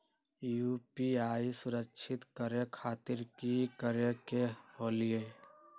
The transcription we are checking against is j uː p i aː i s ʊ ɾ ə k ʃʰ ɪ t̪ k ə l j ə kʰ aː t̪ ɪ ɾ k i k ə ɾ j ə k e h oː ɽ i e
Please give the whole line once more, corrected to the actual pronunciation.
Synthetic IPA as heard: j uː p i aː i s ʊ ɾ ə k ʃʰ ɪ t̪ k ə ɾ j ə kʰ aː t̪ ɪ ɾ k i k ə ɾ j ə k e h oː l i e

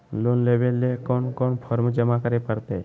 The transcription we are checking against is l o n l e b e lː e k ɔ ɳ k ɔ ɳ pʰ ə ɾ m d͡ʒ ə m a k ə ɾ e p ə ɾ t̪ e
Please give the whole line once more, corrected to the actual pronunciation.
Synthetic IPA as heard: l o n l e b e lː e k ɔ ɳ k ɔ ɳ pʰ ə ɾ m d͡ʒ ə m a k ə ɾ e p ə ɾ t̪ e

